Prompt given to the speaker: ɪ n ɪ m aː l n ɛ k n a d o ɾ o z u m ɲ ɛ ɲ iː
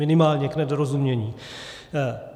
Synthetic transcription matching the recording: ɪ n ɪ m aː l ɲ ɛ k n ɛ d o ɾ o z u m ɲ ɛ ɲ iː